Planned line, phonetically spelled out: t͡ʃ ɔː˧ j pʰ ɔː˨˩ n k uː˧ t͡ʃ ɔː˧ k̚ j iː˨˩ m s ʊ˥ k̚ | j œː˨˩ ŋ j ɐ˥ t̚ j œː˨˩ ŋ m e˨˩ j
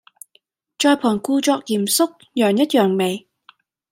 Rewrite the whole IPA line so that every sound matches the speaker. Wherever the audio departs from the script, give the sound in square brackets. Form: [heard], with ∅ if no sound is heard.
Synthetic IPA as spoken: t͡ʃ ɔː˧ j pʰ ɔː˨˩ n k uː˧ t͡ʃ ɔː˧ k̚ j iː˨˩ m s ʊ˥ k̚ | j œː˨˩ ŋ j ɐ˥ t̚ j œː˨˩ ŋ m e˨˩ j

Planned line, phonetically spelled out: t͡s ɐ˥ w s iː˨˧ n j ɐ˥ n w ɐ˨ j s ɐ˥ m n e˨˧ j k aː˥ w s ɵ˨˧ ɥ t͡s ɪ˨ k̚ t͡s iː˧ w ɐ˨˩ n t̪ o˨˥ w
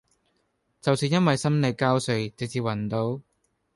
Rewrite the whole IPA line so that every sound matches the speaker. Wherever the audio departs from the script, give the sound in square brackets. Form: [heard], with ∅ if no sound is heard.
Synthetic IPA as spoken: t͡s [ɐ˨] w s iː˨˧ n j ɐ˥ n w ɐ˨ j s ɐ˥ m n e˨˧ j k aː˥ w s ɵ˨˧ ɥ t͡s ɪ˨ k̚ t͡s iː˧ w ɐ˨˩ n t̪ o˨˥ w

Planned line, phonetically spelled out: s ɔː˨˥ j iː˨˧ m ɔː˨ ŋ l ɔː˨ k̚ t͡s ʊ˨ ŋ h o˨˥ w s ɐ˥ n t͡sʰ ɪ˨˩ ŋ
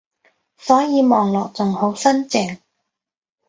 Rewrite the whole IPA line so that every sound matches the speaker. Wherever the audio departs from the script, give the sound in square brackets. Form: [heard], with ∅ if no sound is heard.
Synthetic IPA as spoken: s ɔː˨˥ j iː˨˧ m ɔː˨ ŋ l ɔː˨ k̚ t͡s ʊ˨ ŋ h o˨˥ w s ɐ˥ n [t͡s] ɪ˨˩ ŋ

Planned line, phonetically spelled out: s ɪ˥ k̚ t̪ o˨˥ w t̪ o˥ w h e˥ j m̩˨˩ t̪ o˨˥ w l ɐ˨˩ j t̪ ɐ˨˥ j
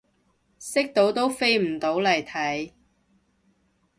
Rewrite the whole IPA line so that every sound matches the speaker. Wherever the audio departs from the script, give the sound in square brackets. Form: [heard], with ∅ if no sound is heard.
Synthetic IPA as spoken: s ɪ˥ k̚ t̪ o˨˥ w t̪ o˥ w [f] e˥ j m̩˨˩ t̪ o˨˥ w l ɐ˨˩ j [t̪ʰ] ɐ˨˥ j

